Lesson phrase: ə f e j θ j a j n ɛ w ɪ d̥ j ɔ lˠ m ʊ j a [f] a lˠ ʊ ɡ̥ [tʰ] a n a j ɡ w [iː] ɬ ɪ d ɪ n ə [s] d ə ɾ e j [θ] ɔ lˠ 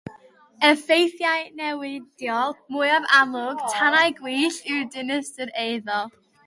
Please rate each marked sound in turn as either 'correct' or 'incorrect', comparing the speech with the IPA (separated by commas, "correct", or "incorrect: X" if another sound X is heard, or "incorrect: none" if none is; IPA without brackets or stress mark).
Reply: incorrect: v, correct, correct, correct, incorrect: ð